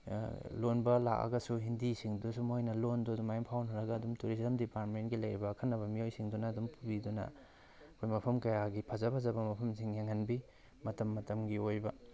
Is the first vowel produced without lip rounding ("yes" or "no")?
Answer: no